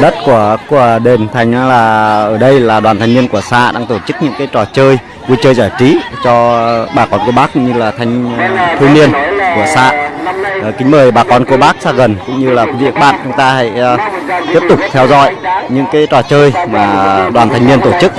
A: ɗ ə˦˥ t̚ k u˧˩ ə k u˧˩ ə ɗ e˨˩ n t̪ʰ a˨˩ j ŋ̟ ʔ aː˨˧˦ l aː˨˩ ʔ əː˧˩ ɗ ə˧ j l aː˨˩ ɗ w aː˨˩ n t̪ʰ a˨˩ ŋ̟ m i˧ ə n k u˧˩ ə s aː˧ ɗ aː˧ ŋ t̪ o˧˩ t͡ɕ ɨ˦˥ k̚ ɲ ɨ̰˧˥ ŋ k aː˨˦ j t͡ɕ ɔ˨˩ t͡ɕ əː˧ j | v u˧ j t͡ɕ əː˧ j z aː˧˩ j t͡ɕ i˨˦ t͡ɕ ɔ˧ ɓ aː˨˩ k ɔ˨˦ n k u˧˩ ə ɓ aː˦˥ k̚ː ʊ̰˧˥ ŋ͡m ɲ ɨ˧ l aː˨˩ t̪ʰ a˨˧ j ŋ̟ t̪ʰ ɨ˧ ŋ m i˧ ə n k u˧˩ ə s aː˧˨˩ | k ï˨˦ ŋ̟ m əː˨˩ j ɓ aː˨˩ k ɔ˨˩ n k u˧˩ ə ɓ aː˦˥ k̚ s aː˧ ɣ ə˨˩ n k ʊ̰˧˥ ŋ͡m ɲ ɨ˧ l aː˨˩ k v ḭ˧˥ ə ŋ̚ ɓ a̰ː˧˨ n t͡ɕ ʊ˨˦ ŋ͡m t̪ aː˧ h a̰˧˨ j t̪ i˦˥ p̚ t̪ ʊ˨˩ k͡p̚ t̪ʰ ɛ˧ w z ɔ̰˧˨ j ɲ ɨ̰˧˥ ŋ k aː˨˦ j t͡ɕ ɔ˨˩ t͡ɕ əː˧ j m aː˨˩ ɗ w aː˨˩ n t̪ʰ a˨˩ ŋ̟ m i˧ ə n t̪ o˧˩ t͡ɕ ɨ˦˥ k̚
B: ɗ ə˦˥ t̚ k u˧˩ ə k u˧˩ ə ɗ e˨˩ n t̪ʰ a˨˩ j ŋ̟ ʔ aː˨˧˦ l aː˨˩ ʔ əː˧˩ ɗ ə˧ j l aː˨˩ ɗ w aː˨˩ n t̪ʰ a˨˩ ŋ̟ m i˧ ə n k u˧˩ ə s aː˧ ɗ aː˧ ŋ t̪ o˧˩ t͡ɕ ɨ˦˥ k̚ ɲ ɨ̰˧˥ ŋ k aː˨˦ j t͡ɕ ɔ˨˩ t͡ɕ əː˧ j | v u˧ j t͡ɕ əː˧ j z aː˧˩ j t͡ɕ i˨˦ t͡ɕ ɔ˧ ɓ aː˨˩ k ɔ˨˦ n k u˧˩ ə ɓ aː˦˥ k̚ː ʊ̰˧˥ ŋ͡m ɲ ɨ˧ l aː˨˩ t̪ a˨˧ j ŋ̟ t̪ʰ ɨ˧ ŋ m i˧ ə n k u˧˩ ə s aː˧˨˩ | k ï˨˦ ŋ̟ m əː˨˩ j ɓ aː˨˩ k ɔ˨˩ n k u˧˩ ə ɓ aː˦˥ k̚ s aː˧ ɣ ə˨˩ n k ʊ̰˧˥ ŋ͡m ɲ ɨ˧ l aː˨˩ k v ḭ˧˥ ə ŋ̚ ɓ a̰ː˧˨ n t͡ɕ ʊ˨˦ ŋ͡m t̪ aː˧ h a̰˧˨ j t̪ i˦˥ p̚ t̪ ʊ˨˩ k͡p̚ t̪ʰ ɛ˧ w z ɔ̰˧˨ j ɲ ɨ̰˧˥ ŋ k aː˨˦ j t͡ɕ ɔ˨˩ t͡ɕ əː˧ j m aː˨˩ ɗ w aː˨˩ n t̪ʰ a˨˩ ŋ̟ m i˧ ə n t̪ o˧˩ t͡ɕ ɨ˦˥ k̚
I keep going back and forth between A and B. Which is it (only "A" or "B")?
A